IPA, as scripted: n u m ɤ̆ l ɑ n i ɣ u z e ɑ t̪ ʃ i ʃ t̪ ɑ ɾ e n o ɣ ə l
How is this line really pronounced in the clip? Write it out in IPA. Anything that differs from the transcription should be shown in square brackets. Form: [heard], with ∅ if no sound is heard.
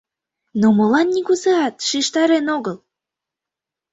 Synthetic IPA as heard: n [o] m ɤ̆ l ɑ [nː] i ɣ u z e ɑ t̪ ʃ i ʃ t̪ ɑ ɾ e n o ɣ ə l